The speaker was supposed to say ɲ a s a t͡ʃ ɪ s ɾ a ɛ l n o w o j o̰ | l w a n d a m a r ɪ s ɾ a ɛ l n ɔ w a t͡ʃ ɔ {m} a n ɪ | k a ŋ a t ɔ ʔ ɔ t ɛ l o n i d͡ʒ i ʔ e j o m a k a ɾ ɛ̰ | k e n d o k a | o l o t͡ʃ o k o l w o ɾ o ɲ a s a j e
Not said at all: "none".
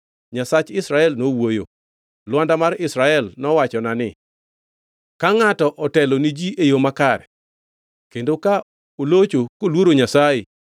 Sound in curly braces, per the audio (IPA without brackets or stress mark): n